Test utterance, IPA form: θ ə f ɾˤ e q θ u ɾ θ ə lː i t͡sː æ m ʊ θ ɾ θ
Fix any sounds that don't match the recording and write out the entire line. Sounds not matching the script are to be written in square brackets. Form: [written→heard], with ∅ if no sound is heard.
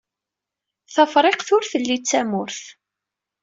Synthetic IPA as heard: θ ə f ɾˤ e q θ [u→ʊ] ɾ θ ə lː i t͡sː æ m ʊ [θ→∅] ɾ θ